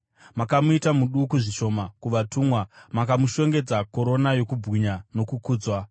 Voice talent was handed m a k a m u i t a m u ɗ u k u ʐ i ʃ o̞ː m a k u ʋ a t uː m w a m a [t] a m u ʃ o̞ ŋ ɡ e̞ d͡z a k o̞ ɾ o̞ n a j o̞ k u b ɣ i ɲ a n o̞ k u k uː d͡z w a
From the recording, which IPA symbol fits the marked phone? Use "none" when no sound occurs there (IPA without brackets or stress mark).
k